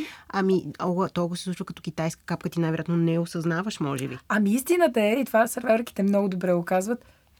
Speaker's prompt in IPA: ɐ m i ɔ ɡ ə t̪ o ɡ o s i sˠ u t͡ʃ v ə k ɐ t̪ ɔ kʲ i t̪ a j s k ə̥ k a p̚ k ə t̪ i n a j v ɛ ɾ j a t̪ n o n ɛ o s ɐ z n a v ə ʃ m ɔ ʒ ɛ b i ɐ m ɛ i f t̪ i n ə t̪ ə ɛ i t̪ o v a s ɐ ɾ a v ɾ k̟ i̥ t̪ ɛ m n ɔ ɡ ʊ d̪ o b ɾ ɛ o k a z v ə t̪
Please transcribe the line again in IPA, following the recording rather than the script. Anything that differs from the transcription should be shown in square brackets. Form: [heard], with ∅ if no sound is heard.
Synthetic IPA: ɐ m i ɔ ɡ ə t̪ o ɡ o s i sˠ u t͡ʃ v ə k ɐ t̪ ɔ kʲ i t̪ a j s k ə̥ k a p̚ k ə t̪ i n a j v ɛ ɾ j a t̪ n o n ɛ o s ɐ z n a v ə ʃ m ɔ ʒ ɛ b i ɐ m [i] i [s] t̪ i n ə t̪ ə ɛ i t̪ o v a s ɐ ɾ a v ɾ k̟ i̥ t̪ ɛ m n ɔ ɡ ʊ d̪ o b ɾ ɛ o k a z v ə t̪